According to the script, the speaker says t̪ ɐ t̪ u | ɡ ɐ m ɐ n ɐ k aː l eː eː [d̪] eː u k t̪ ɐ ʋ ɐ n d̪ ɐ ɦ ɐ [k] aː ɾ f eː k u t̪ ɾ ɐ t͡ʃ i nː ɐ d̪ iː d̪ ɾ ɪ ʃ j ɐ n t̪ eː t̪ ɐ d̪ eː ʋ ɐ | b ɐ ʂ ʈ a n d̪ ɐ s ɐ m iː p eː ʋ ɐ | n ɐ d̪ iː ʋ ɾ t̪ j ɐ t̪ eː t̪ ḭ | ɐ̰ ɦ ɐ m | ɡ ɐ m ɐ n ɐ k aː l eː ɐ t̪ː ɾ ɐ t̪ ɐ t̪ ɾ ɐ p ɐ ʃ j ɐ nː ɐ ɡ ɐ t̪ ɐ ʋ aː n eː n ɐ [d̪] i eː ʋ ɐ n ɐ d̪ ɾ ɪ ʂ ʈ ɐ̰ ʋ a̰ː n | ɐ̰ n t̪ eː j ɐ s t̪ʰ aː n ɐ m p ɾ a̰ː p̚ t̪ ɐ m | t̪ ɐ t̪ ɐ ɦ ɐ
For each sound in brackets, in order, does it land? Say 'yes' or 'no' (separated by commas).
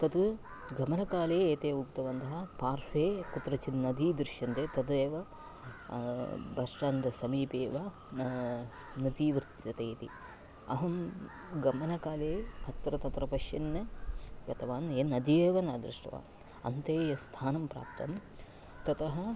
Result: no, no, yes